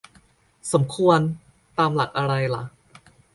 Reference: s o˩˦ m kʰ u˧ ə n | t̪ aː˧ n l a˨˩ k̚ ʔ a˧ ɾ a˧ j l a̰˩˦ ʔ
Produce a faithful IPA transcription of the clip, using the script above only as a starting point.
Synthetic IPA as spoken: s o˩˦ m kʰ u˧ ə n | t̪ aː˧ m l a˨˩ k̚ ʔ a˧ ɾ a˧ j l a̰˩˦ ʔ